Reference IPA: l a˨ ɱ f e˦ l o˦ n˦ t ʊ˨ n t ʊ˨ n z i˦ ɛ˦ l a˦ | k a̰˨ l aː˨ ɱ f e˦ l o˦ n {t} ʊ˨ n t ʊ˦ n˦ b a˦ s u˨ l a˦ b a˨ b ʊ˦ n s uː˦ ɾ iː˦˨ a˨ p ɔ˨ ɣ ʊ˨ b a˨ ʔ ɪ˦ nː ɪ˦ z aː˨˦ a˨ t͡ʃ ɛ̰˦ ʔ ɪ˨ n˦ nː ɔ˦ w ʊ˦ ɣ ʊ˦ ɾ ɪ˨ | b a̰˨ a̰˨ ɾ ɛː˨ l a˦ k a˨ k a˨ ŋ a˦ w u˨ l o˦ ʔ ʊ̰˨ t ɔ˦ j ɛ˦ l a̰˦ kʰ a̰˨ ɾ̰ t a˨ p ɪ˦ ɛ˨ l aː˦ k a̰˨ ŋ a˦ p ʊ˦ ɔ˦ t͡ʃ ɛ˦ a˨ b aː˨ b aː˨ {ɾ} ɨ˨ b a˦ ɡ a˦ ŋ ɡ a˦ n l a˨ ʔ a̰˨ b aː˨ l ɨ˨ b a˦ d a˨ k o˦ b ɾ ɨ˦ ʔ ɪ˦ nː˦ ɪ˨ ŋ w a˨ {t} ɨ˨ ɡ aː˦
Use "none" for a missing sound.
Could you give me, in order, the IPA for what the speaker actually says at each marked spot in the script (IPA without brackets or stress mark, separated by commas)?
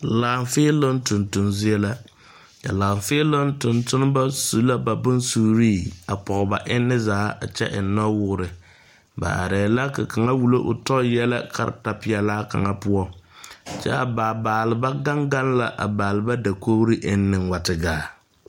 t, l, t